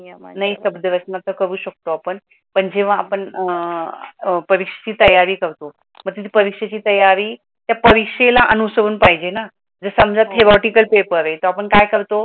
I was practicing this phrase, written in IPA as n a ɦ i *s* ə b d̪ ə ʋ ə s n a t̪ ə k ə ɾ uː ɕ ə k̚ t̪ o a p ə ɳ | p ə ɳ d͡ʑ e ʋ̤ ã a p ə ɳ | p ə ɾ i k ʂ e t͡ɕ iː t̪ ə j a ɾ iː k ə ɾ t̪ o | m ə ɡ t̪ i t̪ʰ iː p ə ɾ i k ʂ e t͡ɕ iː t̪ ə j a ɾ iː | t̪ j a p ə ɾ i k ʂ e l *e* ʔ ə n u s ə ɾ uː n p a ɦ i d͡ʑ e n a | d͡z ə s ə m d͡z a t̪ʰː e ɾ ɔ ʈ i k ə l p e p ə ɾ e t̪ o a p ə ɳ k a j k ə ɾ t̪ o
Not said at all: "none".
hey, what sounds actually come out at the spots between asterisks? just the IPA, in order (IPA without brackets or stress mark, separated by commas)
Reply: s, a